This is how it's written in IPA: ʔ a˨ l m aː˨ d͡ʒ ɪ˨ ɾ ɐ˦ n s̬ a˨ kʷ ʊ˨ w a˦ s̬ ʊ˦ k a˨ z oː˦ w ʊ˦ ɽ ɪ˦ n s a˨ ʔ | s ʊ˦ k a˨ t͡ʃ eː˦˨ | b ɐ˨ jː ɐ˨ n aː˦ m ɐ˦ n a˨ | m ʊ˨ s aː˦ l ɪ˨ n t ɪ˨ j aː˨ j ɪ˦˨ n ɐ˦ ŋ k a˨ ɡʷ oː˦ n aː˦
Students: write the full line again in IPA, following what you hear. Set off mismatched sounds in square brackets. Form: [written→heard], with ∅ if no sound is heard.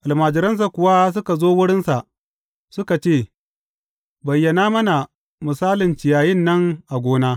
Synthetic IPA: ʔ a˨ l m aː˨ d͡ʒ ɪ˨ ɾ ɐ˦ n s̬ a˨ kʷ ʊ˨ w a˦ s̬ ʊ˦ k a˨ z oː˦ w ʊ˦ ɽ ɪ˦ n s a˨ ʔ | s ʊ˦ k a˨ t͡ʃ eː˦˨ | b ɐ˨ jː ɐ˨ n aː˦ m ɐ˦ n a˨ | m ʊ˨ s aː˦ l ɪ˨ n [t→t͡ʃ] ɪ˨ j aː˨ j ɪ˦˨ [n→nː] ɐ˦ ŋ [k→ʔ] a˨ ɡʷ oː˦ n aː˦